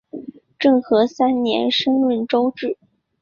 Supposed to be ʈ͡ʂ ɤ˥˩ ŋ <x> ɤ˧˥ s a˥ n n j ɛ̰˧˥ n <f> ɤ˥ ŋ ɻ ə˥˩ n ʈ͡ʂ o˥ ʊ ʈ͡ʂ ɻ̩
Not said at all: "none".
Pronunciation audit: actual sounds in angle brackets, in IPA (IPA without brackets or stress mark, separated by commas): x, ʂ